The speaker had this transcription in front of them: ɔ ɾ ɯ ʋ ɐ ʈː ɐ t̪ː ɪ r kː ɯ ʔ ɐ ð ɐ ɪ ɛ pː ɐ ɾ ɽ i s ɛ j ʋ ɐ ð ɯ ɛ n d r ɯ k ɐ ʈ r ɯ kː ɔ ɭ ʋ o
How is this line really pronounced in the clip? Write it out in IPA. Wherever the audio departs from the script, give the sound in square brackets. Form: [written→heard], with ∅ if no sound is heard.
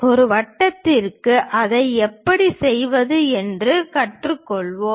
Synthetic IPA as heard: ɔ ɾ ɯ ʋ ɐ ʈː ɐ t̪ː ɪ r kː ɯ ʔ ɐ ð ɐ ɪ ɛ pː ɐ [ɾ→∅] ɽ i s ɛ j ʋ ɐ ð ɯ ɛ n d r ɯ k ɐ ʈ r ɯ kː ɔ ɭ ʋ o

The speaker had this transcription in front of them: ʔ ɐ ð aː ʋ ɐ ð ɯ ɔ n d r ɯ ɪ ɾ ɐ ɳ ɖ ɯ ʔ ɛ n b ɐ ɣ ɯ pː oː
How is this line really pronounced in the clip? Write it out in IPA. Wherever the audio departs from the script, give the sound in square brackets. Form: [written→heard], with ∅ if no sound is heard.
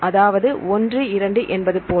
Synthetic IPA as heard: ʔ ɐ ð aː ʋ ɐ ð ɯ ɔ n d r ɯ ɪ ɾ ɐ ɳ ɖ ɯ ʔ ɛ n b ɐ [ɣ→ð] ɯ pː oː

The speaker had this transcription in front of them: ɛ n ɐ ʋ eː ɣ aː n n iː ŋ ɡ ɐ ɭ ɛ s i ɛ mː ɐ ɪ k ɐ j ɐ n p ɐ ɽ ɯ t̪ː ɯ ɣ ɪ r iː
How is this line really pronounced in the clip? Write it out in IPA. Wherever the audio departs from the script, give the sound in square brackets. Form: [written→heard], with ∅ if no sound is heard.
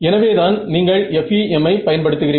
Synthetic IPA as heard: ɛ n ɐ ʋ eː [ɣ→ð] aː n n iː ŋ ɡ ɐ ɭ ɛ [s→f] i ɛ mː ɐ ɪ [k→p] ɐ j ɐ n p ɐ ɽ ɯ t̪ː ɯ ɣ ɪ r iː

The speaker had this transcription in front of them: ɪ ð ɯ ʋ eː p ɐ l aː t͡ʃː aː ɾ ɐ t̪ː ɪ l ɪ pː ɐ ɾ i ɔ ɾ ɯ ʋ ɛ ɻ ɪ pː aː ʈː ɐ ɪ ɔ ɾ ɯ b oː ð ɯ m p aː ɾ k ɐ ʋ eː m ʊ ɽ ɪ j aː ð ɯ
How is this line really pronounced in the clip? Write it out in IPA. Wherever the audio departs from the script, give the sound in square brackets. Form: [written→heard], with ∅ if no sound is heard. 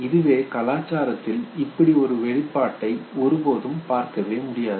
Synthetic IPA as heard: ɪ ð ɯ ʋ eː [p→k] ɐ l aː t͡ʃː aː ɾ ɐ t̪ː ɪ l ɪ pː ɐ [ɾ→ɽ] i ɔ ɾ ɯ ʋ ɛ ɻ ɪ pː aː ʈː ɐ ɪ ɔ ɾ ɯ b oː ð ɯ m p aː ɾ k ɐ ʋ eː m ʊ ɽ ɪ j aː ð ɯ

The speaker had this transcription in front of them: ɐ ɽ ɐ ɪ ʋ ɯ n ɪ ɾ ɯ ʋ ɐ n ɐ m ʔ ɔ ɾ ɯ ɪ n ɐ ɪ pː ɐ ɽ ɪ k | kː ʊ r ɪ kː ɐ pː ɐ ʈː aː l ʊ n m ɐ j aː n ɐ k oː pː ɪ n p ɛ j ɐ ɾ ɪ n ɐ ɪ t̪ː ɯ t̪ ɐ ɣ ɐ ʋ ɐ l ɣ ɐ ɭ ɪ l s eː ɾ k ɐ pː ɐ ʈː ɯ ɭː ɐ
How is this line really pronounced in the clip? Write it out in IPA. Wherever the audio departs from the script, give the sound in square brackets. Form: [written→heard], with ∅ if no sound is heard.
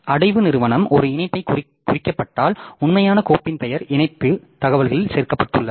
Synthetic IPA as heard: ɐ ɽ ɐ ɪ ʋ ɯ n ɪ ɾ ɯ ʋ ɐ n ɐ m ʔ ɔ ɾ ɯ ɪ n ɐ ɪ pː ɐ [ɽ→∅] ɪ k | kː ʊ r ɪ kː ɐ pː ɐ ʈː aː l ʊ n m ɐ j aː n ɐ k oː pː ɪ n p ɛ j ɐ ɾ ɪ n ɐ ɪ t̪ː ɯ t̪ ɐ ɣ ɐ ʋ ɐ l ɣ ɐ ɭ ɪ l s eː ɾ k ɐ pː ɐ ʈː ɯ ɭː ɐ

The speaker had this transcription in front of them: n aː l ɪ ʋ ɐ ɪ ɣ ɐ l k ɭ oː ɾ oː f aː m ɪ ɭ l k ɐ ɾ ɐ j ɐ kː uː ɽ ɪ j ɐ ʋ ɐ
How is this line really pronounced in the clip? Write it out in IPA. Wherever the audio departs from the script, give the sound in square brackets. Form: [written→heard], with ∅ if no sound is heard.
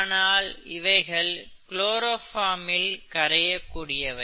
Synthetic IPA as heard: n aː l ɪ ʋ ɐ ɪ ɣ ɐ [l→ɭ] k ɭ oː ɾ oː f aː m ɪ [ɭ→∅] l k ɐ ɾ ɐ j ɐ kː uː ɽ ɪ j ɐ ʋ ɐ

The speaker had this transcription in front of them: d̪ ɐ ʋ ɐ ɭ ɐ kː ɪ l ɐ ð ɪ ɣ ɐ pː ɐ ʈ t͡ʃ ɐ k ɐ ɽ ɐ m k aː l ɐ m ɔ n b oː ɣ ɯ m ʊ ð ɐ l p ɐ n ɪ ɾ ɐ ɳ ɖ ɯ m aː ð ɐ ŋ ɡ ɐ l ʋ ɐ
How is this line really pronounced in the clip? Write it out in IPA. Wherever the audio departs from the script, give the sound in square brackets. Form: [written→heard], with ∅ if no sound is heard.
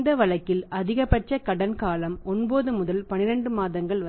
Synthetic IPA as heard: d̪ ɐ ʋ ɐ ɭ ɐ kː ɪ l ɐ ð ɪ ɣ ɐ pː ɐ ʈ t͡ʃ ɐ k ɐ ɽ ɐ [m→n] k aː l ɐ m ɔ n b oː [ɣ→ð] ɯ m ʊ ð ɐ l p ɐ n ɪ ɾ ɐ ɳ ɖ ɯ m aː ð ɐ ŋ ɡ ɐ [l→ɭ] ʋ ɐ

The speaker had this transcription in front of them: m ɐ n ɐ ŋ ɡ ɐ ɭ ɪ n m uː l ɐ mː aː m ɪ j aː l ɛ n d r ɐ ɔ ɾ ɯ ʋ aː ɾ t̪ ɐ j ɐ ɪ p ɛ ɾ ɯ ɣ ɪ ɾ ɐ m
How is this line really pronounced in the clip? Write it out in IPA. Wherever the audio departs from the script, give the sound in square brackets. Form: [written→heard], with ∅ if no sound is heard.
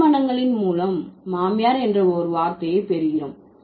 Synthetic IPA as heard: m ɐ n ɐ ŋ ɡ ɐ ɭ ɪ n m uː l ɐ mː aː m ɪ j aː [l→ɾ] ɛ n d r ɐ ɔ ɾ ɯ ʋ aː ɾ t̪ ɐ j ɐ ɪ p ɛ ɾ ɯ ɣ ɪ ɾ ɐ m

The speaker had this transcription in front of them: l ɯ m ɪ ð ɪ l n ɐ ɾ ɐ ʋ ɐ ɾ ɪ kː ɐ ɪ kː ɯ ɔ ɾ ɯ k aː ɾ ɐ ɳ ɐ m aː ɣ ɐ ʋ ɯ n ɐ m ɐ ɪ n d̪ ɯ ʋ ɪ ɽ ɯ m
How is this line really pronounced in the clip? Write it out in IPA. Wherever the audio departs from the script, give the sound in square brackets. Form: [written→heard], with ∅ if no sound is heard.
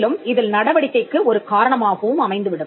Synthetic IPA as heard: l ɯ m ɪ ð ɪ l n ɐ [ɾ→ɽ] ɐ ʋ ɐ [ɾ→ɽ] ɪ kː ɐ ɪ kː ɯ ɔ ɾ ɯ k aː ɾ ɐ ɳ ɐ m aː ɣ ɐ ʋ ɯ [n→m] ɐ m ɐ ɪ n d̪ ɯ ʋ ɪ ɽ ɯ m

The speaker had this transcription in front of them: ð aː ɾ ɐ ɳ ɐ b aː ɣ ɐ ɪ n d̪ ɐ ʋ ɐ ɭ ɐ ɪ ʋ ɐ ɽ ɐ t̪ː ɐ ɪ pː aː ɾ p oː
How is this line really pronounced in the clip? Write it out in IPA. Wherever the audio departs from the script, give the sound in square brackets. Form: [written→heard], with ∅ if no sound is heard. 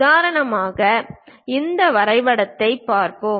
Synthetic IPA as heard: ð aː ɾ ɐ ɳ ɐ [b→m] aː ɣ ɐ ɪ n d̪ ɐ ʋ ɐ [ɭ→ɾ] ɐ ɪ ʋ ɐ ɽ ɐ t̪ː ɐ ɪ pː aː ɾ p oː

